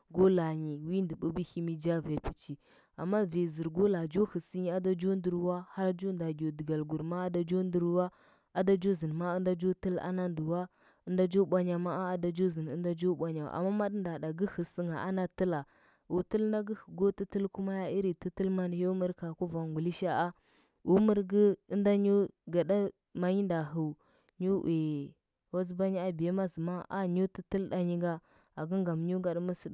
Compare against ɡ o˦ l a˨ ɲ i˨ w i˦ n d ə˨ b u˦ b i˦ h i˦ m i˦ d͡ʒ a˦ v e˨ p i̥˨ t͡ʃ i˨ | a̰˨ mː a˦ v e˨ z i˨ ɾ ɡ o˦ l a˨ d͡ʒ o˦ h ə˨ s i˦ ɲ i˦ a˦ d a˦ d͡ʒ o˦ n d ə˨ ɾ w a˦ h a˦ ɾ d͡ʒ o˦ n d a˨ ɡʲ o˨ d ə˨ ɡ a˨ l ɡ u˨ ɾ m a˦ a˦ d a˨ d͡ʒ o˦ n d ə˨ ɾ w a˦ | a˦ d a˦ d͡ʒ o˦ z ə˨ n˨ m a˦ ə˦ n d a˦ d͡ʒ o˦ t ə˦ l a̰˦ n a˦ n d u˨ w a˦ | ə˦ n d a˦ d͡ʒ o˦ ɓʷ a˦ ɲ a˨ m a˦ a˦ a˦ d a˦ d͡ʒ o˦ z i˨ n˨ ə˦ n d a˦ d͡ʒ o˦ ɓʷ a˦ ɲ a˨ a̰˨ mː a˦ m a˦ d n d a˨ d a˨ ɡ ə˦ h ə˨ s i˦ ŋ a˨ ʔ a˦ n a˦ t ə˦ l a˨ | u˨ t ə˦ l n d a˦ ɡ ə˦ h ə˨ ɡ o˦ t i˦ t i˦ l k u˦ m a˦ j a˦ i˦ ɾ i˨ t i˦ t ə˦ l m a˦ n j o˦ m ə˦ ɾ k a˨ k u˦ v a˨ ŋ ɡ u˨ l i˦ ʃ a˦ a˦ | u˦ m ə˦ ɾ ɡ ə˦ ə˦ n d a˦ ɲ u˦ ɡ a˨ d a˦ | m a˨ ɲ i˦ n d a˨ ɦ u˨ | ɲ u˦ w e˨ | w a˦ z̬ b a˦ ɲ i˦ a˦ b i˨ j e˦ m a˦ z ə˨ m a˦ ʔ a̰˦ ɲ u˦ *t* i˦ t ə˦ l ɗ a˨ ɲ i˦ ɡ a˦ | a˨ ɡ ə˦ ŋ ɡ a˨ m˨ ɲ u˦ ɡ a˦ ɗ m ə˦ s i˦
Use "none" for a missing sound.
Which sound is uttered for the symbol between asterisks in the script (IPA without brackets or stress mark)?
t